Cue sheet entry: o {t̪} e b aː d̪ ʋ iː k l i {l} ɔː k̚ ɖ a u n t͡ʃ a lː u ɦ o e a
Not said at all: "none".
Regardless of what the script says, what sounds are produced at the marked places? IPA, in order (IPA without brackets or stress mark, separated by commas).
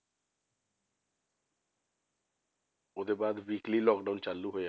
d̪, l